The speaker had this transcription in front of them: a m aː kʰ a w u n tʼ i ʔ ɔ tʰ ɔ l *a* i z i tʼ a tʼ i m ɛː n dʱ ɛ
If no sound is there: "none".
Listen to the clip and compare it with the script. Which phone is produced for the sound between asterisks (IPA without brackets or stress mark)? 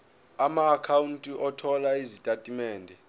a